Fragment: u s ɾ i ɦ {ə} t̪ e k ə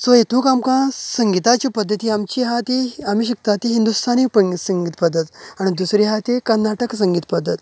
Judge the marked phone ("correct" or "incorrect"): incorrect